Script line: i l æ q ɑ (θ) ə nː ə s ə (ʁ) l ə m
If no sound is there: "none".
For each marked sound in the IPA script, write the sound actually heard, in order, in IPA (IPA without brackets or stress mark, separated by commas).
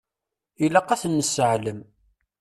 θ, ʕ